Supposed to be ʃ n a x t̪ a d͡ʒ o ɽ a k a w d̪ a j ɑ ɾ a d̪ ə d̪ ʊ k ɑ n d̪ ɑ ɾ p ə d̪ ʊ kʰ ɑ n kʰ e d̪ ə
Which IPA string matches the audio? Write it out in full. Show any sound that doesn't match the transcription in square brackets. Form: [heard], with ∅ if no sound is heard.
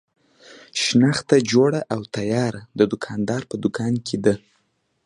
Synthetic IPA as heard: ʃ n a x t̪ a d͡ʒ o ɽ a [ʔ] a w [t̪] a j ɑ ɾ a d̪ ə d̪ ʊ [kʰ] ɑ n d̪ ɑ ɾ p ə d̪ ʊ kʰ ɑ n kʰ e d̪ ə